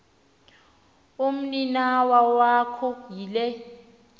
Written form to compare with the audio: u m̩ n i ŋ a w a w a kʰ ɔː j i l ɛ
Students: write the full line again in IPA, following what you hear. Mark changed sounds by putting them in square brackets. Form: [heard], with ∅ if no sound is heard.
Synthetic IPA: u m̩ n i [n] a w a w a kʰ [ɔ] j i l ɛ